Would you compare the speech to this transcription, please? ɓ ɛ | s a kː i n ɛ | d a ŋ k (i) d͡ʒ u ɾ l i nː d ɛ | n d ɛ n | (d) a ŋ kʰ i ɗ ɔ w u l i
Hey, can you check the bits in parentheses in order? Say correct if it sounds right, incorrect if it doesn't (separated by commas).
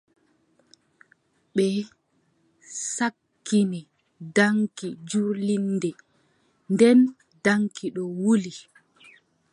correct, correct